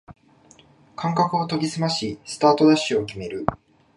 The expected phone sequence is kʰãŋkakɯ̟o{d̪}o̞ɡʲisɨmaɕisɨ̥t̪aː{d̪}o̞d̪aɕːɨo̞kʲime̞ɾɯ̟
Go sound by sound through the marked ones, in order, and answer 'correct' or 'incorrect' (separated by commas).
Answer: incorrect, incorrect